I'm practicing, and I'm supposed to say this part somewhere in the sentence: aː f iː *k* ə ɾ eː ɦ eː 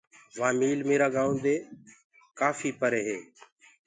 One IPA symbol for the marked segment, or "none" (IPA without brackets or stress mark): p